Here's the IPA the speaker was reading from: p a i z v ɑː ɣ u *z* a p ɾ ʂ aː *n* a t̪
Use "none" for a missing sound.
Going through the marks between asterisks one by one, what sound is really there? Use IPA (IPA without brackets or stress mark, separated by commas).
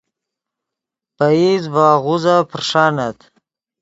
z, n